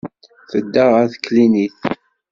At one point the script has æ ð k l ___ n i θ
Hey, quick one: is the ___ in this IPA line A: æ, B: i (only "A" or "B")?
B